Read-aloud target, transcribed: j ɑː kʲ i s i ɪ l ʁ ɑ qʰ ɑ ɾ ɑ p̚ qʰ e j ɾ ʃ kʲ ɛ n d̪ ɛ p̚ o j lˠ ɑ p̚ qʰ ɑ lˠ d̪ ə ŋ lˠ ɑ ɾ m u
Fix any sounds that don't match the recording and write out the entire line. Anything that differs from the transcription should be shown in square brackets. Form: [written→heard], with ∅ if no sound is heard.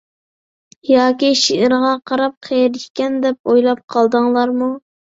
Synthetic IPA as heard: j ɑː kʲ i [s→ʃ] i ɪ [l→ɾ] ʁ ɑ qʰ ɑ ɾ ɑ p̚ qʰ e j ɾ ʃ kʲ ɛ n d̪ ɛ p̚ o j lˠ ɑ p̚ qʰ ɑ lˠ d̪ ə ŋ lˠ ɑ ɾ m u